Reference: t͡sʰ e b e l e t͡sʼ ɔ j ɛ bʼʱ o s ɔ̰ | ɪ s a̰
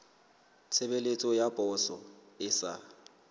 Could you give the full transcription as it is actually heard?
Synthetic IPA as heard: t͡sʰ e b e l e t͡sʼ ɔ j a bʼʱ ɔ s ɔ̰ | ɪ s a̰